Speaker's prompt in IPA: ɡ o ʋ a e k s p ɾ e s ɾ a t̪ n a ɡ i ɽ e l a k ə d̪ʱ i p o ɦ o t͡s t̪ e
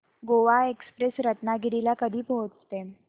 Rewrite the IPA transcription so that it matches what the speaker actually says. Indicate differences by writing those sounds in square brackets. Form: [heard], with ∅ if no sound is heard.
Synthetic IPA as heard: ɡ o ʋ a e k s p ɾ e s ɾ [ə] t̪ n a ɡ i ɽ [i] l a k ə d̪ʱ [iː] p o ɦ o t͡s t̪ e